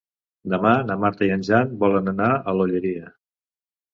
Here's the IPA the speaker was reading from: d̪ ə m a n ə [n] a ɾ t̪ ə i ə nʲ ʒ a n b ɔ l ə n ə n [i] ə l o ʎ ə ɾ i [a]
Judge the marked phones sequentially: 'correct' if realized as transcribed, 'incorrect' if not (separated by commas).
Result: incorrect, incorrect, incorrect